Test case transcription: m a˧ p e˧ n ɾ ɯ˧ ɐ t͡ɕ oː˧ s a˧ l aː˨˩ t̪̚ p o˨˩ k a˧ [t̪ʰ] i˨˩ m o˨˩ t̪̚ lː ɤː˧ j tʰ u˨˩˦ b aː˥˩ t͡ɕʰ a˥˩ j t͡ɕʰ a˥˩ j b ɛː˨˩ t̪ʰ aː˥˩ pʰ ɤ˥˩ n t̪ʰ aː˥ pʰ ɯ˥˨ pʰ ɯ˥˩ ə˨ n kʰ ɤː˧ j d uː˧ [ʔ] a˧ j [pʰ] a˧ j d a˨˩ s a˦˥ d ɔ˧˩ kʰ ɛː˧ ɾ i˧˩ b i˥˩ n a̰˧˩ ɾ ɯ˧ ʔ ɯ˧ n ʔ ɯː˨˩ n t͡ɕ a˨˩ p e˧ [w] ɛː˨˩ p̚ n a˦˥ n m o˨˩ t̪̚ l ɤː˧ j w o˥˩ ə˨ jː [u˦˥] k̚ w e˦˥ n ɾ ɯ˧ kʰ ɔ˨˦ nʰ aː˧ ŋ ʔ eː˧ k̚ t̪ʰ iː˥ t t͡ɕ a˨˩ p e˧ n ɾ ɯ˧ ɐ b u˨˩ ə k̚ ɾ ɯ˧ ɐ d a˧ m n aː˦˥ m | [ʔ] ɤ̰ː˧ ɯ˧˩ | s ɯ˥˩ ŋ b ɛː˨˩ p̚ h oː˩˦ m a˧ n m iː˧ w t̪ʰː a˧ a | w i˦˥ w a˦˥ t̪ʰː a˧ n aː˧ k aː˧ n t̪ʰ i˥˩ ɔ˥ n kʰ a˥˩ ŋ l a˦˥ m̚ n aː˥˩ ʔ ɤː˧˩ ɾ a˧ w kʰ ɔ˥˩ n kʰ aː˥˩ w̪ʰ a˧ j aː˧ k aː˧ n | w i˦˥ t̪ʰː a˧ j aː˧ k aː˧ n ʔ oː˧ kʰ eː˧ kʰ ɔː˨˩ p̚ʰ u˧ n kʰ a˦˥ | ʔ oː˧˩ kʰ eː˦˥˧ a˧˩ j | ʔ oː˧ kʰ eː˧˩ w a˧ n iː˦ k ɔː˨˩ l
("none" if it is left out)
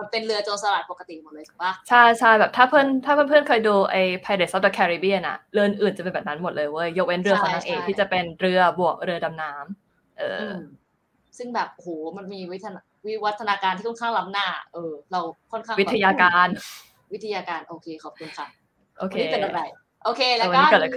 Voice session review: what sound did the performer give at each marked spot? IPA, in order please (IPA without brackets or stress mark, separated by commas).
t̪, ʔ, pʰ, b, o˦˥, ʔ